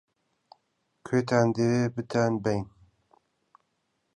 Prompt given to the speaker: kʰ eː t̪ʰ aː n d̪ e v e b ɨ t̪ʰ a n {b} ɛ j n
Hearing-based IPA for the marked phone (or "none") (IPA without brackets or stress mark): b